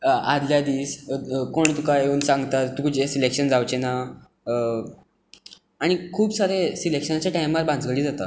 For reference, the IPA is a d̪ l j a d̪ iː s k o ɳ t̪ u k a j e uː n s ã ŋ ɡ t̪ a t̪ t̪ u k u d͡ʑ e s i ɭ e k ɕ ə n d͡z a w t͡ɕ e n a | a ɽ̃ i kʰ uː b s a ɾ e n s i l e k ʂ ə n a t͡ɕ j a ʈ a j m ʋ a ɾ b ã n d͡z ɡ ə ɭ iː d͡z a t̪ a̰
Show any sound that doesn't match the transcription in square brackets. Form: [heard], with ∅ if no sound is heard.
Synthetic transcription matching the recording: a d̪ l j a d̪ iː s k o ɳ t̪ u k a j e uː n s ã ŋ ɡ t̪ a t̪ t̪ u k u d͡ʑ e s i [l] e k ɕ ə n d͡z a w t͡ɕ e n a | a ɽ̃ i kʰ uː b s a ɾ e [∅] s i l e k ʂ ə n a t͡ɕ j a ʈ a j m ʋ a ɾ b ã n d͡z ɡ ə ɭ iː d͡z a t̪ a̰